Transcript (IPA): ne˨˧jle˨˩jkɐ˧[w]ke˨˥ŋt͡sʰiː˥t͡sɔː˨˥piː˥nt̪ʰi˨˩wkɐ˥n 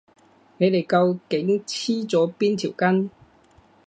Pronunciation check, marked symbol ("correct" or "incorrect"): correct